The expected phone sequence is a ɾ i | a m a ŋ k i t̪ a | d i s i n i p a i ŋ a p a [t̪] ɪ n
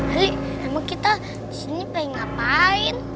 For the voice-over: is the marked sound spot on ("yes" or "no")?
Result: no